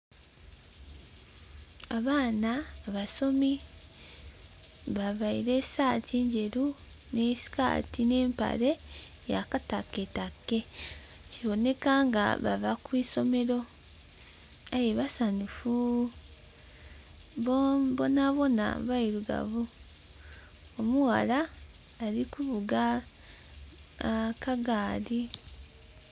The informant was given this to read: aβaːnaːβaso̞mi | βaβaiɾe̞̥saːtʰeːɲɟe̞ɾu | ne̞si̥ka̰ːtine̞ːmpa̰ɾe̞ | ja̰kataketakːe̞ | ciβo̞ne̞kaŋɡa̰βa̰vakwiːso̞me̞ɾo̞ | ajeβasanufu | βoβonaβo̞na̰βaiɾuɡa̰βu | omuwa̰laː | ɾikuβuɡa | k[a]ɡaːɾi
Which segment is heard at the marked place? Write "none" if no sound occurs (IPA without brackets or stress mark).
a